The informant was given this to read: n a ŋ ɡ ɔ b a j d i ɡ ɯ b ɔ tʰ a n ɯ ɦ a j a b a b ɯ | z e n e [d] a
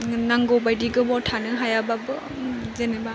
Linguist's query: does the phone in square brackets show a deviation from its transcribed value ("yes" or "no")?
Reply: yes